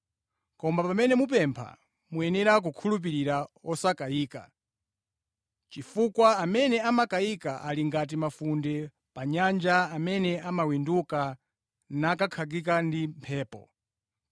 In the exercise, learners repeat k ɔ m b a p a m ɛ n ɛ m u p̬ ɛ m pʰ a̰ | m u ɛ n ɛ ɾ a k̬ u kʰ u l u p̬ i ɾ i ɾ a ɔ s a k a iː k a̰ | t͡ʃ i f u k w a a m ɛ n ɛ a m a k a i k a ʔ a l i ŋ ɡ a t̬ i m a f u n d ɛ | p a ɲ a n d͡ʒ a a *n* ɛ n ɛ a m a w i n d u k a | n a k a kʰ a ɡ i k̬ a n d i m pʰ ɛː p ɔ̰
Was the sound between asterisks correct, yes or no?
no